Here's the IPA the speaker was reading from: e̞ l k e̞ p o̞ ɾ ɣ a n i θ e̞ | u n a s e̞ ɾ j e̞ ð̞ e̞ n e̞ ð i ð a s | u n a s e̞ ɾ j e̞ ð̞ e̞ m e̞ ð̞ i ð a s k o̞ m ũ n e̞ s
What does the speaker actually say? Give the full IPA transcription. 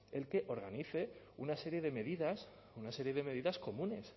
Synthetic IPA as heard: e̞ l k e̞ ʔ o̞ ɾ ɣ a n i θ e̞ | u n a s e̞ ɾ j e̞ ð̞ e̞ m e̞ ð i ð a s | u n a s e̞ ɾ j e̞ ð̞ e̞ m e̞ ð̞ i ð a s k o̞ m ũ n e̞ s